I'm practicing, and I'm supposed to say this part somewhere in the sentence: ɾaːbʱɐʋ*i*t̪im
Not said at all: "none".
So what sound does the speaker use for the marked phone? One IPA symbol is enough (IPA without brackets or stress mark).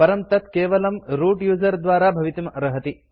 i